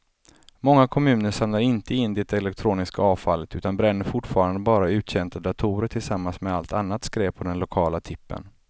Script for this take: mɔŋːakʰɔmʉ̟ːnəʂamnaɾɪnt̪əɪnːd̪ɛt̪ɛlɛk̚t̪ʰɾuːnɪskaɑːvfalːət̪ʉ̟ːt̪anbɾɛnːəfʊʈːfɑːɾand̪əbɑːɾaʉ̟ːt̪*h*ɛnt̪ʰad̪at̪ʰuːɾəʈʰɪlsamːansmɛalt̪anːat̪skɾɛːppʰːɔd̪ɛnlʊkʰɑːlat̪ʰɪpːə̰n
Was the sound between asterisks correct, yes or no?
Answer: no